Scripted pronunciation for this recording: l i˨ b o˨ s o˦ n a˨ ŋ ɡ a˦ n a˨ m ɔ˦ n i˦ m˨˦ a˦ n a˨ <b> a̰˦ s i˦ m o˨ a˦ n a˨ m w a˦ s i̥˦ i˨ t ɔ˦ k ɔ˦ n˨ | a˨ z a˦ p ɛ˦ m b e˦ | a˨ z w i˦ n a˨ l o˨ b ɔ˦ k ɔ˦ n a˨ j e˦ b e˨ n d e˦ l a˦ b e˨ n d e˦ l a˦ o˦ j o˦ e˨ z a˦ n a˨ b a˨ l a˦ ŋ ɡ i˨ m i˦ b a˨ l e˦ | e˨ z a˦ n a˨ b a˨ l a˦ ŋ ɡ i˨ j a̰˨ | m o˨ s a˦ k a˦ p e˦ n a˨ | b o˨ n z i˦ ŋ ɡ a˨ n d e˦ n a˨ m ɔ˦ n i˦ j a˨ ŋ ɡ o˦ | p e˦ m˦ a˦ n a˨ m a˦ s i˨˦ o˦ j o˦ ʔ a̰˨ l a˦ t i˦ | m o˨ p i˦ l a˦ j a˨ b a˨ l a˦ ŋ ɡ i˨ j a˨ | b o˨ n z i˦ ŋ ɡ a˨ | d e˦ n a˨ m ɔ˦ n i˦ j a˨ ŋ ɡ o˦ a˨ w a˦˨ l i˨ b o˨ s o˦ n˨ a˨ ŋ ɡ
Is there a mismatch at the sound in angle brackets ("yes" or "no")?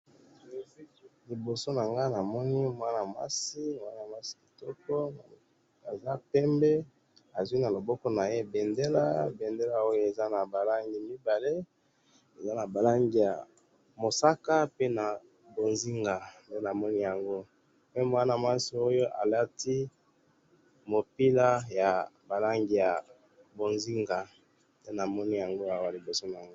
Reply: yes